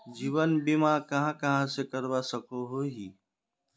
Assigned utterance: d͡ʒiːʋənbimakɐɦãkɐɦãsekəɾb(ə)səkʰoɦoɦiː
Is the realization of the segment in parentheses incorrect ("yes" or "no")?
yes